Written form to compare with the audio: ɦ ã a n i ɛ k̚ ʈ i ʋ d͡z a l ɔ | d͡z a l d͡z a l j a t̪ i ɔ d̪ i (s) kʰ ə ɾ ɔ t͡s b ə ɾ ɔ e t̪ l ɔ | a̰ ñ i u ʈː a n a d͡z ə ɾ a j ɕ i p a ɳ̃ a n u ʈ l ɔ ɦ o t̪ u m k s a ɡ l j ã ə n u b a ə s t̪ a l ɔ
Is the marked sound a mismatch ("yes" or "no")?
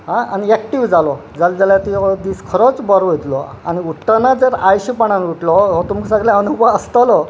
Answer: no